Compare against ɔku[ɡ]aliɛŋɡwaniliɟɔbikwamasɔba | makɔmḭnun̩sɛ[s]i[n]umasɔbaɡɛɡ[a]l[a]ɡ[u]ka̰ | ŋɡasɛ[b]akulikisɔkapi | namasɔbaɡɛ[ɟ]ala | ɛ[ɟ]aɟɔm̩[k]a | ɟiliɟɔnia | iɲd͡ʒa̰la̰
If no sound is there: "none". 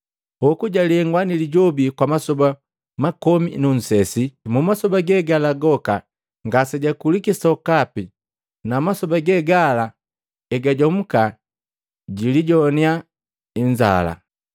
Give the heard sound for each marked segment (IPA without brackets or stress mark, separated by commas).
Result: ɟ, s, m, a, a, ɔ, ɟ, ɡ, ɡ, k